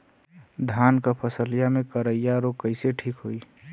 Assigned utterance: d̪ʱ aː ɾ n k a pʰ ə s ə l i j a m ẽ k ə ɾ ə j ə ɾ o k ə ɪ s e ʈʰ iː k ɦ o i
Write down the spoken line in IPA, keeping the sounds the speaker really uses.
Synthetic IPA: d̪ʱ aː n k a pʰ ə s ə l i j a m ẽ k ə ɾ ə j a ɾ o k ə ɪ s e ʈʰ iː k ɦ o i